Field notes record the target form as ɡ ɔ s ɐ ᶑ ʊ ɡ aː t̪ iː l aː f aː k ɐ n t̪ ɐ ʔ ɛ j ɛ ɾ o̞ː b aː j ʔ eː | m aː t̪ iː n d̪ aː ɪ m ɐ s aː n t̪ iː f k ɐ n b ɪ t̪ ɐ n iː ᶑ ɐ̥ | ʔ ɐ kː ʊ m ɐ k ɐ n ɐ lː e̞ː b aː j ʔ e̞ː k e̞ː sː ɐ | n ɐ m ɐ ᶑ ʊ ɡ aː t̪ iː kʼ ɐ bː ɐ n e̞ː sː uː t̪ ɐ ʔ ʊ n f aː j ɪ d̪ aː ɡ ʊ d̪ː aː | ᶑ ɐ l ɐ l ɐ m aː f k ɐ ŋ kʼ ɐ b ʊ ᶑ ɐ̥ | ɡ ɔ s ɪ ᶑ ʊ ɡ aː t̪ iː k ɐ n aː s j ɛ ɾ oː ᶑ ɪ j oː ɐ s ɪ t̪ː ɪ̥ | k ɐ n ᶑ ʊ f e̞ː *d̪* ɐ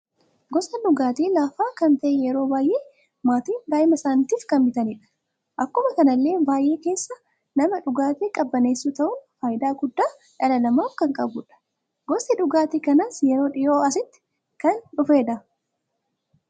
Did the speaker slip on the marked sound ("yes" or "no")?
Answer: no